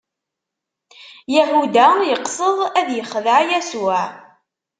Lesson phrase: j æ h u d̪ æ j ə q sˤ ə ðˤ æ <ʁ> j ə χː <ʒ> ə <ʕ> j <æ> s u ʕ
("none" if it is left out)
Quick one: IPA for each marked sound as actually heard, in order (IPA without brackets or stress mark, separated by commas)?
ð, ð, ʕ, æ